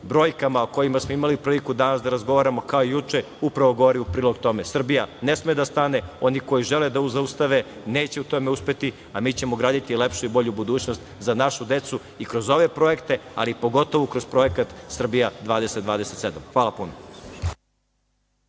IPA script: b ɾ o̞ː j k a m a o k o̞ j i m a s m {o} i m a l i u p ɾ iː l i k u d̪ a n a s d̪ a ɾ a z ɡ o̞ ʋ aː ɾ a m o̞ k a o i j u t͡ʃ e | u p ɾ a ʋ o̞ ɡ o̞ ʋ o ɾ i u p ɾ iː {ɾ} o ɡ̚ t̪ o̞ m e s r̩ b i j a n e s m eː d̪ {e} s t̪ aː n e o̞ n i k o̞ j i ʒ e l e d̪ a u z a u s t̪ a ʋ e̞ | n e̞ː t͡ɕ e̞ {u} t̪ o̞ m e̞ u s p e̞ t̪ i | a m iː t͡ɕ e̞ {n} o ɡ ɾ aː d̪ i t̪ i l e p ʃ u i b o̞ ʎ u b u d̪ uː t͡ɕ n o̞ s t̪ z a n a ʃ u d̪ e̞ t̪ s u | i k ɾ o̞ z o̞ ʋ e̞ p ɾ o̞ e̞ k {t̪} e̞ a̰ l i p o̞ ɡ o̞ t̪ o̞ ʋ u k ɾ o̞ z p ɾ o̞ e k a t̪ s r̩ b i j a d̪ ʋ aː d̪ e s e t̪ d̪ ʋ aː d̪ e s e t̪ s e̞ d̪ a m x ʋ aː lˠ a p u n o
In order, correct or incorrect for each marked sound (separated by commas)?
correct, incorrect, incorrect, correct, incorrect, correct